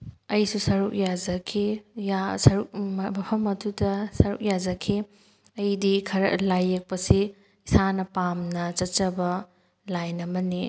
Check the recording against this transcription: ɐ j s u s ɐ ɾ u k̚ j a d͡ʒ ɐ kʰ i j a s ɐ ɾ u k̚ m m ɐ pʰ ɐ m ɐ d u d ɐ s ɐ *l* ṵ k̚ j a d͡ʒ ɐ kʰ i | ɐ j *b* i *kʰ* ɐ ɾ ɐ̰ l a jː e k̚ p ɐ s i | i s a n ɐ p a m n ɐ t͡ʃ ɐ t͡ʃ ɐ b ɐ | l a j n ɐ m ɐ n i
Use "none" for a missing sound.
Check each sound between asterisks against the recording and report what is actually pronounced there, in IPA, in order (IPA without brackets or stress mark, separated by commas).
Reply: ɾ, d, kʰ